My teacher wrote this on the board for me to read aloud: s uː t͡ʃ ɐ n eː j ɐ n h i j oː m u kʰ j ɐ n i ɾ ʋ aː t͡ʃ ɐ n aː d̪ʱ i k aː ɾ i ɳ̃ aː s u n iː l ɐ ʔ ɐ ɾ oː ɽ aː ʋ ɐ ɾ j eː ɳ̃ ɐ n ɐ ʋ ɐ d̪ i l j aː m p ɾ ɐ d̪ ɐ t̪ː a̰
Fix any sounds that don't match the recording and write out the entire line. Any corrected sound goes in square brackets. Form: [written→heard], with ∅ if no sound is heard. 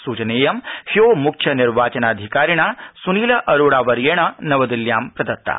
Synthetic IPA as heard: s uː t͡ʃ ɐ n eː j ɐ [n→m] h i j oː m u kʰ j ɐ n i ɾ ʋ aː t͡ʃ ɐ n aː d̪ʱ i k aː ɾ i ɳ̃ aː s u n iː l ɐ ʔ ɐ ɾ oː ɽ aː ʋ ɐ ɾ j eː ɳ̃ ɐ n ɐ ʋ ɐ d̪ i l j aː m p ɾ ɐ d̪ ɐ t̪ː a̰